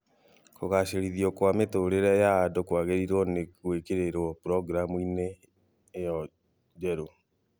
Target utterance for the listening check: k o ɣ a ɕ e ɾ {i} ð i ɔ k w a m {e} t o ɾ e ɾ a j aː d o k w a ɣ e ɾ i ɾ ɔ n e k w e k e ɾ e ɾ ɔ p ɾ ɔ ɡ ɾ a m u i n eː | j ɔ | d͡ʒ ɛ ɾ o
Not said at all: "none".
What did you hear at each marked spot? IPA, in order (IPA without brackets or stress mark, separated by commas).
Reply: i, e